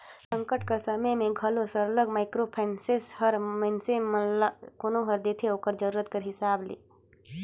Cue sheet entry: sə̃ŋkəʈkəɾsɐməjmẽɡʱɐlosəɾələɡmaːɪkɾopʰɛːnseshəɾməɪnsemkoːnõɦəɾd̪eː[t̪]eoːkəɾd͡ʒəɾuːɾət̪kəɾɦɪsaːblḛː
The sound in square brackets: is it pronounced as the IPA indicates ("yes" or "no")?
no